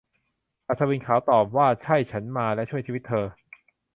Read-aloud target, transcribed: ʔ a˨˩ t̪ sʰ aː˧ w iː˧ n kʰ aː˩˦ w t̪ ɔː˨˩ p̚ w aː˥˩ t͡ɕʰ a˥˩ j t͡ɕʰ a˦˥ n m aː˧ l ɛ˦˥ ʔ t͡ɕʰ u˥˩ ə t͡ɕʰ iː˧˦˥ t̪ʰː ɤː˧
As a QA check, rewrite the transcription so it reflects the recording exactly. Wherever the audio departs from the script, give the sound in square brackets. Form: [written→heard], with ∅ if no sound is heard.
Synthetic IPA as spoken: ʔ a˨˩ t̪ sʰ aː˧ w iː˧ n kʰ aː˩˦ w t̪ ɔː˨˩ p̚ w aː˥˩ t͡ɕʰ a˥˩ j t͡ɕʰ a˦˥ n m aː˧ l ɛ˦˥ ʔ t͡ɕʰ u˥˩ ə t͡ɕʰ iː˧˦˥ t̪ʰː ɤː˧